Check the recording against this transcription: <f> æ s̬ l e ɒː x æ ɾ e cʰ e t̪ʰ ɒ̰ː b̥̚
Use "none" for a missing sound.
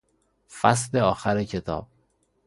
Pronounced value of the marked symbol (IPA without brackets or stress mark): f